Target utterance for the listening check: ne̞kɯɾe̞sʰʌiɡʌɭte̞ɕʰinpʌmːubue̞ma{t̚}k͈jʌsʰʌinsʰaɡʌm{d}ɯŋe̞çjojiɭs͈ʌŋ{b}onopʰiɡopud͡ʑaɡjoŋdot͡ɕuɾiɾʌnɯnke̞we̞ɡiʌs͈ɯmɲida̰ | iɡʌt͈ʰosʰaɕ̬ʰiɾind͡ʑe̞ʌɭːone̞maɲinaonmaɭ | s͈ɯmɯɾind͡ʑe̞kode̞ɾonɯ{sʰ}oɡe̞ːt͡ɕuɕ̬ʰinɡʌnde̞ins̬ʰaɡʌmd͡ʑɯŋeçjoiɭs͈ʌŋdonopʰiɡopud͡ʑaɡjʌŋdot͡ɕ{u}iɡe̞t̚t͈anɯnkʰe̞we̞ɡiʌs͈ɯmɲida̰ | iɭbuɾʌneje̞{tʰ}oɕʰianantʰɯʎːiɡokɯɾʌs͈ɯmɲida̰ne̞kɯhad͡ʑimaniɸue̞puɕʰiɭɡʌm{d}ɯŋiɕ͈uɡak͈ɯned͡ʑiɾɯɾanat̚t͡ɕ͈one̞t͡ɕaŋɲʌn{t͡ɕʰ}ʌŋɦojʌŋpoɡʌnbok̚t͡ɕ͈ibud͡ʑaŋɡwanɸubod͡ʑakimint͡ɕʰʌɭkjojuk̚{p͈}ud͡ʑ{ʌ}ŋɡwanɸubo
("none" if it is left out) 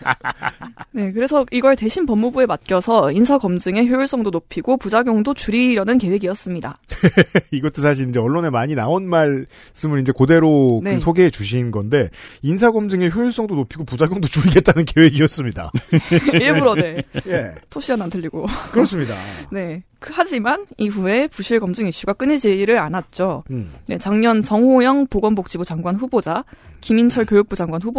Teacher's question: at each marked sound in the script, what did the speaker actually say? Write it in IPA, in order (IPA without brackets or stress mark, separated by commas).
t̚, d͡ʑ, d, sʰ, u, tʰ, d͡ʑ, t͡ɕ, p͈, a